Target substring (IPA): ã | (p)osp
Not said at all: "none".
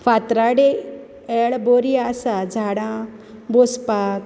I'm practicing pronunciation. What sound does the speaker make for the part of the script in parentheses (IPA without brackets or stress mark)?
b